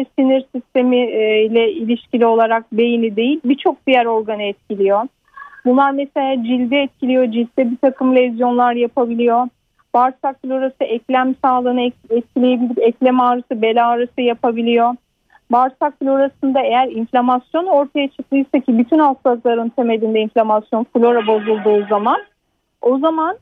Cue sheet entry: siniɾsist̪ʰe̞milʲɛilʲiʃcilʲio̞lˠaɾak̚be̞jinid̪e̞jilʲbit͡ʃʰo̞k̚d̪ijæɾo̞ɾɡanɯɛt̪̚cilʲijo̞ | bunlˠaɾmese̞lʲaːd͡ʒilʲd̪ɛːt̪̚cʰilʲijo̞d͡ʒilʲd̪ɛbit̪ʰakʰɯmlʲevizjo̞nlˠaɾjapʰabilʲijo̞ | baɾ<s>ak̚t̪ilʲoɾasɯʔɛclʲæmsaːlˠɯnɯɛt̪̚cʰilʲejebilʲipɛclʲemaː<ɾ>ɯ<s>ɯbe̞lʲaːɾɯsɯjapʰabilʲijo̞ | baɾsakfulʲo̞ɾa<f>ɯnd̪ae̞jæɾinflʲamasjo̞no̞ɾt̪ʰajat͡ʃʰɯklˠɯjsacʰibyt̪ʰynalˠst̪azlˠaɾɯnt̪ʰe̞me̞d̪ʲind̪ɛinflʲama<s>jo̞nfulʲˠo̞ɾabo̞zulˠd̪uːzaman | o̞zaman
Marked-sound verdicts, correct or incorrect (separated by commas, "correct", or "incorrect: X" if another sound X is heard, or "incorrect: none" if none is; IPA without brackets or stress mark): correct, correct, correct, incorrect: s, correct